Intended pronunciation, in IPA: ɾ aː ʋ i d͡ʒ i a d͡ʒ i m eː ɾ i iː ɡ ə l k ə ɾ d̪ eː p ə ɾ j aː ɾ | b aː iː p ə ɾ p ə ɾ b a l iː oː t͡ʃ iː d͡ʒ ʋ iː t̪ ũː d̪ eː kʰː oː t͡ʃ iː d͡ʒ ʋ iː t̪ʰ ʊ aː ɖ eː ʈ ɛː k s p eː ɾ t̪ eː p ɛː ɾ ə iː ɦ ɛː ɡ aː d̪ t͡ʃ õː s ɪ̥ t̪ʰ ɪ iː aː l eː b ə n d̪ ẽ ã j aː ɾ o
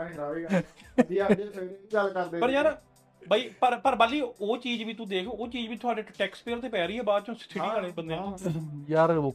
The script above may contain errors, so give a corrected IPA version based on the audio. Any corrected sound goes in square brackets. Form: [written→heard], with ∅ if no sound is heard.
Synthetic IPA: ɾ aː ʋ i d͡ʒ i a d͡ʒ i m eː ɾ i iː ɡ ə l k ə ɾ d̪ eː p ə ɾ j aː ɾ | b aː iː p ə ɾ p ə ɾ b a l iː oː t͡ʃ iː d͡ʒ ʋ iː t̪ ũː d̪ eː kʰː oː t͡ʃ iː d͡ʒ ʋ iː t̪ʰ ʊ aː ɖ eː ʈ ɛː k s p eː ɾ t̪ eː p ɛː ɾ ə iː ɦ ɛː [ɡ→b] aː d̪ t͡ʃ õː s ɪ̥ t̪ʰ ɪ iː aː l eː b ə n d̪ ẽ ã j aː ɾ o